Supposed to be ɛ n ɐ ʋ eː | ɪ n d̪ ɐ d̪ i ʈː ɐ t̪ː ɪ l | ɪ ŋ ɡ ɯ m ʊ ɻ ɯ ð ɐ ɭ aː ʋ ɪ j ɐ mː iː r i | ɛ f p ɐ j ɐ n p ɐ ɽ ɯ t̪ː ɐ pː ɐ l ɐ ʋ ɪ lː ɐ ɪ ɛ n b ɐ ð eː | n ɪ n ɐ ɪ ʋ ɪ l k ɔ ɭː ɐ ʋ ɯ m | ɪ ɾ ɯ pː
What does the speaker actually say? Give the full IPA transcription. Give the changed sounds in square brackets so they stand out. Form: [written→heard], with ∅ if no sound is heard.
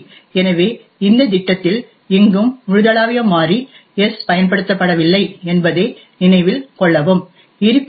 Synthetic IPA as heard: ɛ n ɐ ʋ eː | ɪ n d̪ ɐ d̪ [i→ɪ] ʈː ɐ t̪ː ɪ l | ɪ ŋ ɡ ɯ m ʊ ɻ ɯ ð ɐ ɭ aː ʋ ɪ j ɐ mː [iː→aː] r i | ɛ [f→s] p ɐ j ɐ n p ɐ ɽ ɯ t̪ː ɐ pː ɐ [l→ɽ] ɐ ʋ ɪ lː ɐ ɪ ɛ n b ɐ ð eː | n ɪ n ɐ ɪ ʋ ɪ l k ɔ ɭː ɐ ʋ ɯ m | ɪ ɾ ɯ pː

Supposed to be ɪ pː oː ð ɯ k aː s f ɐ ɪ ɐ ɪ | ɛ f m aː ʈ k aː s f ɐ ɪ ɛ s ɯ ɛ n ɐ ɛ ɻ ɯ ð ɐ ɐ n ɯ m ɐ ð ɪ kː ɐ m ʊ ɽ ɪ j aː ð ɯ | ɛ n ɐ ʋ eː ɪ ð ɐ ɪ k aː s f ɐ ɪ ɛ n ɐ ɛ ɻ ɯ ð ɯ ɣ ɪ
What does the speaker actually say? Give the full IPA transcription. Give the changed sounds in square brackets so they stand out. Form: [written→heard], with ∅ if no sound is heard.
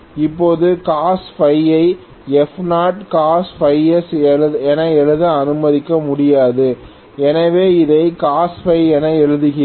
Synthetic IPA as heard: ɪ pː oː ð ɯ k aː s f ɐ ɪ ɐ ɪ | ɛ f [m→n] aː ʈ k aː s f ɐ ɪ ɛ s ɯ ɛ n ɐ ɛ ɻ ɯ ð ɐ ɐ n ɯ m ɐ ð ɪ kː ɐ m ʊ ɽ ɪ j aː ð ɯ | ɛ n ɐ ʋ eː ɪ ð ɐ ɪ k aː s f ɐ ɪ ɛ n ɐ ɛ ɻ ɯ ð ɯ ɣ ɪ

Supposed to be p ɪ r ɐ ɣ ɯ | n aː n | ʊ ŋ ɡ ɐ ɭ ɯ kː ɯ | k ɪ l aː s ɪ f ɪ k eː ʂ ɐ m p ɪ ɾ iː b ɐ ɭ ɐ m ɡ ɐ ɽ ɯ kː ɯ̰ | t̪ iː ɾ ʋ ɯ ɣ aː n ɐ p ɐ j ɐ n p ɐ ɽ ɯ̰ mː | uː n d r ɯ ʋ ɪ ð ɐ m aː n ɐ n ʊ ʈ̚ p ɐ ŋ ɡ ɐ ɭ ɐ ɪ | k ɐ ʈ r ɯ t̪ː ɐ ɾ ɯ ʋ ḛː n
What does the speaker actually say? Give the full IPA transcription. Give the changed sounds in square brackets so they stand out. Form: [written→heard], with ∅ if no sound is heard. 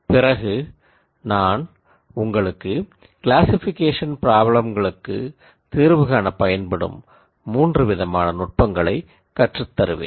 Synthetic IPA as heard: p ɪ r ɐ ɣ ɯ | n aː n | ʊ ŋ ɡ ɐ ɭ ɯ kː ɯ | k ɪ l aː s ɪ f ɪ k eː ʂ ɐ [m→n] p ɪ ɾ [iː→aː] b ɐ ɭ ɐ m ɡ ɐ [ɽ→ɭ] ɯ kː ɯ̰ | t̪ iː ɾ ʋ ɯ ɣ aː n ɐ p ɐ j ɐ n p ɐ ɽ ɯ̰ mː | uː n d r ɯ ʋ ɪ ð ɐ m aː n ɐ n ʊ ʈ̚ p ɐ ŋ ɡ ɐ ɭ ɐ ɪ | k ɐ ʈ r ɯ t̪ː ɐ ɾ ɯ ʋ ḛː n

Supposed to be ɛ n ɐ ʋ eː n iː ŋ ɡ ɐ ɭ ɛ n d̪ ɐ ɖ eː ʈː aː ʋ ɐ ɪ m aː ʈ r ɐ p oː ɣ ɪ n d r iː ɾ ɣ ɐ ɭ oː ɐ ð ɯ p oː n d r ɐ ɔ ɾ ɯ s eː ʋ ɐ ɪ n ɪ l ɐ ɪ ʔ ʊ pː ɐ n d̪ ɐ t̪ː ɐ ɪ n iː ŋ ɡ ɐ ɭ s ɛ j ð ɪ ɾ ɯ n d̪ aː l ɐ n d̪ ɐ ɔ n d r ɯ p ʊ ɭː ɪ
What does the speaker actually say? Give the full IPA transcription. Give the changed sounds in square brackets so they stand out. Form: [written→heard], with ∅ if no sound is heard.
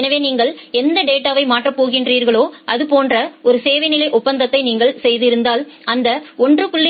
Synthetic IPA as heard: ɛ n ɐ ʋ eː n iː ŋ ɡ ɐ ɭ ɛ n d̪ ɐ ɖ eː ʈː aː ʋ ɐ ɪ m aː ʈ r ɐ p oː ɣ ɪ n d r iː ɾ ɣ ɐ ɭ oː ɐ ð ɯ p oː n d r ɐ ɔ ɾ ɯ s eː ʋ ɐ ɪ n ɪ l ɐ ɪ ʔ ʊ pː ɐ n d̪ ɐ t̪ː ɐ ɪ n iː ŋ ɡ ɐ ɭ s ɛ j ð ɪ ɾ ɯ n d̪ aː l ɐ n d̪ ɐ ɔ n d r ɯ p ʊ ɭː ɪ

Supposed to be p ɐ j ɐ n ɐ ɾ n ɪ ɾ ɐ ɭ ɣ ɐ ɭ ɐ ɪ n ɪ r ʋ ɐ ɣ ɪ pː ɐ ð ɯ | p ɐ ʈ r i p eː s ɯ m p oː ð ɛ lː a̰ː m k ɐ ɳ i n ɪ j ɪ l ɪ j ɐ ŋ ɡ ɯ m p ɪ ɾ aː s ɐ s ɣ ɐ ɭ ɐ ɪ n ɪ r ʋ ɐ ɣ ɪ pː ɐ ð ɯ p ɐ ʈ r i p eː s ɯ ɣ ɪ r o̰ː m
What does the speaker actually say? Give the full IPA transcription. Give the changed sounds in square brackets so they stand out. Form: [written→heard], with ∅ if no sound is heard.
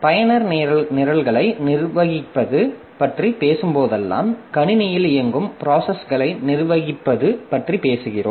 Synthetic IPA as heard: p ɐ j ɐ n ɐ ɾ n ɪ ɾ ɐ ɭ ɣ ɐ ɭ ɐ ɪ n ɪ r ʋ ɐ ɣ ɪ pː ɐ ð ɯ | p ɐ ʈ r i p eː s ɯ m p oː ð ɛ lː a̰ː m k ɐ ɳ [i→ɪ] n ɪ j ɪ l ɪ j ɐ ŋ ɡ ɯ m p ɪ ɾ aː s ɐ s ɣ ɐ ɭ ɐ ɪ n ɪ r ʋ ɐ ɣ ɪ pː ɐ ð ɯ p ɐ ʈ r i p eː s ɯ ɣ ɪ r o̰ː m

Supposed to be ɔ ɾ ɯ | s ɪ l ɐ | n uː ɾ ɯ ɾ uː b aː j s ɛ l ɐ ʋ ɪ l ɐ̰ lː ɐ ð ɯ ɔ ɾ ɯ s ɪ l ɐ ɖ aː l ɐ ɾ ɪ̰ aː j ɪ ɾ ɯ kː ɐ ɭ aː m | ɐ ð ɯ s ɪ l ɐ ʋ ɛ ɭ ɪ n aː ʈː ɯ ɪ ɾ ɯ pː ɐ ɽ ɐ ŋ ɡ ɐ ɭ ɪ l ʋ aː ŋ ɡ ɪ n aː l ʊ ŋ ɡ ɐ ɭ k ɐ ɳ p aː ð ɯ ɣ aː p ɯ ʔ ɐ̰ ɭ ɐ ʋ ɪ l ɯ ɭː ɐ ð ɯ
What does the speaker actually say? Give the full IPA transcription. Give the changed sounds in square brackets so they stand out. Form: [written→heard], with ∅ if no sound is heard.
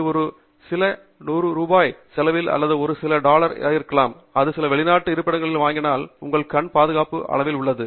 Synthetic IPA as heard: ɔ ɾ ɯ | s ɪ l ɐ | n uː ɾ ɯ ɾ uː b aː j s ɛ l ɐ ʋ ɪ l ɐ̰ lː ɐ ð ɯ ɔ ɾ ɯ s ɪ l ɐ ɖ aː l ɐ ɾ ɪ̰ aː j ɪ ɾ ɯ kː ɐ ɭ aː m | ɐ ð ɯ s ɪ l ɐ ʋ ɛ ɭ ɪ n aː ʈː ɯ ɪ ɾ ɯ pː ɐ ɽ ɐ ŋ ɡ ɐ ɭ ɪ l ʋ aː ŋ ɡ ɪ n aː l ʊ ŋ ɡ ɐ ɭ k ɐ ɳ p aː ð ɯ ɣ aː p ɯ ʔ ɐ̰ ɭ ɐ ʋ ɪ l [ɯ→ʊ] ɭː ɐ ð ɯ

